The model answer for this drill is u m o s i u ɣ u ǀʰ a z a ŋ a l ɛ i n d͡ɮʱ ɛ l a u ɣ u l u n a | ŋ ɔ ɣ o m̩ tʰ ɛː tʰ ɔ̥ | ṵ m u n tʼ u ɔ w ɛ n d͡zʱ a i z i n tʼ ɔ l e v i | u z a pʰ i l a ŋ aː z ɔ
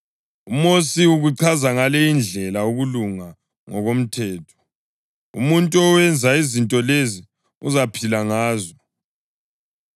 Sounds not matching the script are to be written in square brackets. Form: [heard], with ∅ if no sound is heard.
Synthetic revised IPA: u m o s i u ɣ u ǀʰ a z a ŋ a l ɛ i n d͡ɮʱ ɛ l a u ɣ u l u [ŋ] a | ŋ ɔ ɣ o m̩ tʰ ɛː tʰ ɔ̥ | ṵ m u n tʼ u ɔ w ɛ n d͡zʱ a i z i n tʼ ɔ l e [z] i | u z a pʰ i l a ŋ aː z ɔ